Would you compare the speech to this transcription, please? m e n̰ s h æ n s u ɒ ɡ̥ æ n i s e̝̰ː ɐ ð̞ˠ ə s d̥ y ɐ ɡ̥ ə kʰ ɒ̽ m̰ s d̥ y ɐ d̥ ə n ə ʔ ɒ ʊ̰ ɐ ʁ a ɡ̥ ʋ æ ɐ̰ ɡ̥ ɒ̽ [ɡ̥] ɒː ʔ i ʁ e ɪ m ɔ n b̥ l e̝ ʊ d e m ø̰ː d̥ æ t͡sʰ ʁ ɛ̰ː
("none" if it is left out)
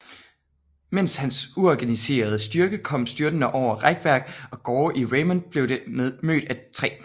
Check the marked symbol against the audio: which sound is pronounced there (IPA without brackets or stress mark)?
ɡ̥